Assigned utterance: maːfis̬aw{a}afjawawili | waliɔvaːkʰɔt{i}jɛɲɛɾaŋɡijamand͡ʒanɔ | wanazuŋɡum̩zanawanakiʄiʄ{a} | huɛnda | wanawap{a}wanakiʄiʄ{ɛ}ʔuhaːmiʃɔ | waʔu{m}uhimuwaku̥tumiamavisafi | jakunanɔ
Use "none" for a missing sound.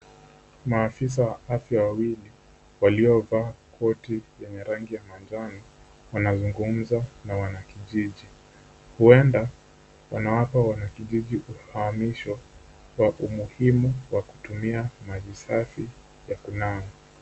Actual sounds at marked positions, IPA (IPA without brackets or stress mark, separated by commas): a, i, i, a, i, m